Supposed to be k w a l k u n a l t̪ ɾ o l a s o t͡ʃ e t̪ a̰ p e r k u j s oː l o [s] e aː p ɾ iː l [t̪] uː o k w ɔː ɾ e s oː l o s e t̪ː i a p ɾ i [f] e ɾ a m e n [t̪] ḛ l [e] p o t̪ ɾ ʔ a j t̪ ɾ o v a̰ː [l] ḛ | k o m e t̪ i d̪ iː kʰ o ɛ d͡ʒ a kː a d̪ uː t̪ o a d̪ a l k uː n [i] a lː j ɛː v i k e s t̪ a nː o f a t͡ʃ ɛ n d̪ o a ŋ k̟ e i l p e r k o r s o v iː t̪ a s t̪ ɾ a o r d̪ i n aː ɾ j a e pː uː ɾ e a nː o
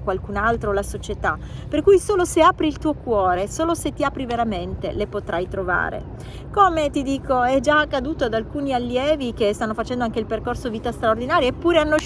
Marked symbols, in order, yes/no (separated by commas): yes, yes, no, yes, yes, no, yes